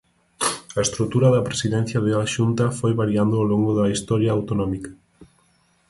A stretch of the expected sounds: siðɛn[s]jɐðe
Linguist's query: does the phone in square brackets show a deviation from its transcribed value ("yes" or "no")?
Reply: yes